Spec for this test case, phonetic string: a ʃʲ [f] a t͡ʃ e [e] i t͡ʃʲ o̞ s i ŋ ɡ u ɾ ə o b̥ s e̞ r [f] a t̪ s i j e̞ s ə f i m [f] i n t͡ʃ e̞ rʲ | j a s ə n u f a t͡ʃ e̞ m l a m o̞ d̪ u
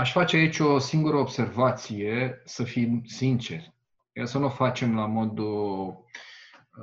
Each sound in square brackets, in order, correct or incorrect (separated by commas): correct, incorrect, incorrect, incorrect